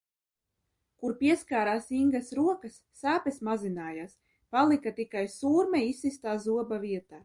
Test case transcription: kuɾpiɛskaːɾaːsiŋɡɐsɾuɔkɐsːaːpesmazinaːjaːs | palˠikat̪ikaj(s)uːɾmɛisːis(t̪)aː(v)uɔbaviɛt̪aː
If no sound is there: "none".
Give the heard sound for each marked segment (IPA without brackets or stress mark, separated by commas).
s, t̪, z